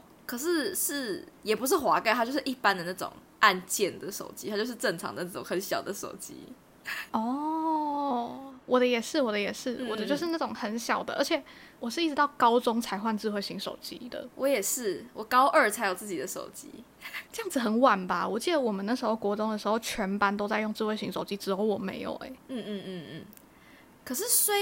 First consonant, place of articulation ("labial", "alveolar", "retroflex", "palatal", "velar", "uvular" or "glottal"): velar